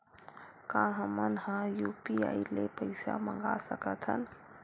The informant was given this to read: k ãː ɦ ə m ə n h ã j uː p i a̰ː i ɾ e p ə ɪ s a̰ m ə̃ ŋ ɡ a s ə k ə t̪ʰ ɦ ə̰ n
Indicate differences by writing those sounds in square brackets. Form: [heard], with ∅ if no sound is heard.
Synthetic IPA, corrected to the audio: k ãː ɦ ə m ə n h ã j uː p i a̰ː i [l] e p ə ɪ s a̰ m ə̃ ŋ ɡ a s ə k ə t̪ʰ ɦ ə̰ n